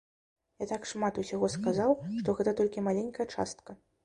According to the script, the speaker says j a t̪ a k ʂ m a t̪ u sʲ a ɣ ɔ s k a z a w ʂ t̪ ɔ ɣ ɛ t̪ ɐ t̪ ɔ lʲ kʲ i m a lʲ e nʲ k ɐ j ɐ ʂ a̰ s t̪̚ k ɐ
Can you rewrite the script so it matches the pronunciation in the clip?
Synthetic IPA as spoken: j a t̪ a k ʂ m a t̪ u sʲ a ɣ ɔ s k a z a w ʂ t̪ ɔ ɣ ɛ t̪ ɐ t̪ ɔ lʲ kʲ i m a lʲ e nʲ k ɐ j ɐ t͡ʂ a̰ s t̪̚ k ɐ

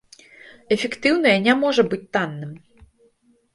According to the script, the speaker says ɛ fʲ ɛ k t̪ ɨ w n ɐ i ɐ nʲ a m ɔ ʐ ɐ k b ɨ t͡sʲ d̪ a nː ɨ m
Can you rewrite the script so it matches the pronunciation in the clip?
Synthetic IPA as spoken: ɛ fʲ ɛ k t̪ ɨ w n ɐ j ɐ nʲ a m ɔ ʐ ɐ b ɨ t͡sʲ t̪ a nː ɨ m

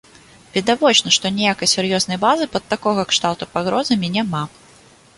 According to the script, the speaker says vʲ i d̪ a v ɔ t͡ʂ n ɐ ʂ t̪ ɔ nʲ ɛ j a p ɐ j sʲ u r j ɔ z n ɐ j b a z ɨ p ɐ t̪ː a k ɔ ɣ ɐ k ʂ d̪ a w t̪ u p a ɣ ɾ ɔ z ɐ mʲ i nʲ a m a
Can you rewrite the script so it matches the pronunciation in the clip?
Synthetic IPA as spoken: vʲ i d̪ a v ɔ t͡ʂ n ɐ ʂ t̪ ɔ nʲ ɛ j a k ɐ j sʲ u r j ɔ z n ɐ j b a z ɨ p ɐ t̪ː a k ɔ ɣ ɐ k ʂ t̪ a w t̪ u p a ɣ ɾ ɔ z ɐ mʲ i nʲ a m a

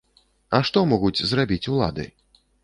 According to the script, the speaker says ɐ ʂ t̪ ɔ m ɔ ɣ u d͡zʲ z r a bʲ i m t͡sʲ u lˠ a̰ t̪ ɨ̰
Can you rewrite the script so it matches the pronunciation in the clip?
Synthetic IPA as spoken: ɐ ʂ t̪ ɔ m ɔ ɣ u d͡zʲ z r a bʲ i t͡sʲ u lˠ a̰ d̪ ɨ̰

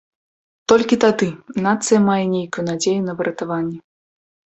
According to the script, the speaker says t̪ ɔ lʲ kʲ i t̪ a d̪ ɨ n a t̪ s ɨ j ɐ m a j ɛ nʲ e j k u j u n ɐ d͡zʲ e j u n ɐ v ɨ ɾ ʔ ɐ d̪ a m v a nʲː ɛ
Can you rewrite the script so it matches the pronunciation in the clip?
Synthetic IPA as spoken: t̪ ɔ lʲ kʲ i t̪ a d̪ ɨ n a t̪ s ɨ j ɐ m a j ɛ nʲ e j k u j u n a d͡zʲ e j u n ɐ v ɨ ɾ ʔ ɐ t̪ a v a nʲː ɛ

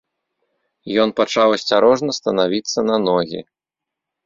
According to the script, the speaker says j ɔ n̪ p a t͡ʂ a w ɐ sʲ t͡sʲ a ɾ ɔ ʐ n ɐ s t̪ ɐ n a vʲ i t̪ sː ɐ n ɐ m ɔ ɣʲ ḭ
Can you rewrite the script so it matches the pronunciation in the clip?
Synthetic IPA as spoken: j ɔ n̪ p a t͡ʂ a w ɐ sʲ t͡sʲ a ɾ ɔ ʐ n ɐ s t̪ ɐ n a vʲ i t̪ sː ɐ n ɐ n ɔ ɣʲ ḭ

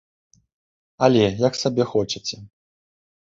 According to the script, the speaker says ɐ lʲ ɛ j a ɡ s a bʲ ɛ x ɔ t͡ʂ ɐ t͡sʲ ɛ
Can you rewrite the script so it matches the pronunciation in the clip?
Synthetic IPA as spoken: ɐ lʲ ɛ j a k s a bʲ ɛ x ɔ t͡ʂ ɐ t͡sʲ ɛ

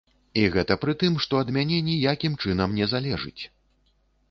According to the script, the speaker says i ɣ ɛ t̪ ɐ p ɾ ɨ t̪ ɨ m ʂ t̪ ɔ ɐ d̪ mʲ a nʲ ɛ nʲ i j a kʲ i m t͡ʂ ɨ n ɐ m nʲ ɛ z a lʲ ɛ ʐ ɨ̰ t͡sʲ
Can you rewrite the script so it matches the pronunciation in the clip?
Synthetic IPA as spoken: i ɣ ɛ t̪ ɐ p ɾ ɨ t̪ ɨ m ʂ t̪ ɔ ɐ d̪ mʲ a nʲ ɛ nʲ i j a kʲ i m t͡ʂ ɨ n ɐ m nʲ ɛ z a lʲ ɛ ʐ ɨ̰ t͡sʲ

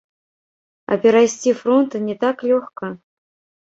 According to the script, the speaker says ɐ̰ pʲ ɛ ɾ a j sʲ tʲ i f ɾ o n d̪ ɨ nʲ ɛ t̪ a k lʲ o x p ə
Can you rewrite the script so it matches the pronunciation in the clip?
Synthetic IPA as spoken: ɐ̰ pʲ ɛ ɾ a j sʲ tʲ i f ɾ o n t̪ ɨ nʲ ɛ t̪ a k lʲ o x k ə

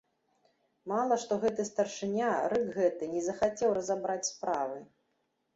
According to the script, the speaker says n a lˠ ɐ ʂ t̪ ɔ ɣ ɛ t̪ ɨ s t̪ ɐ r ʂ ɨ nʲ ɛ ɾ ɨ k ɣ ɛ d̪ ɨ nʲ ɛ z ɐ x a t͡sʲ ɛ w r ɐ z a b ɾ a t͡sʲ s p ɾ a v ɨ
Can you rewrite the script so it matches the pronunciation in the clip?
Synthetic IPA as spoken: m a lˠ ɐ ʂ t̪ ɔ ɣ ɛ t̪ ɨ s t̪ ɐ r ʂ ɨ nʲ a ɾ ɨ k ɣ ɛ t̪ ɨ nʲ ɛ z ɐ x a t͡sʲ ɛ w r ɐ z a b ɾ a t͡sʲ s p ɾ a v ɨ

